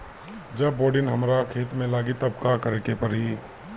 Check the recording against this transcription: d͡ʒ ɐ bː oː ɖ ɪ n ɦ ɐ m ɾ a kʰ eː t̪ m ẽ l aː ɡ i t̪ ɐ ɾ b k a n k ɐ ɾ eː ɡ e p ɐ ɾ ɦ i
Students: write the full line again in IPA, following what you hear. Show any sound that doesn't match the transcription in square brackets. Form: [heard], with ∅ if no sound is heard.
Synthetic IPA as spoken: d͡ʒ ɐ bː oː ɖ ɪ n ɦ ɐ m ɾ a kʰ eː t̪ m ẽ l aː ɡ i t̪ ɐ [∅] b k a [∅] k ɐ ɾ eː [k] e p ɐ ɾ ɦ i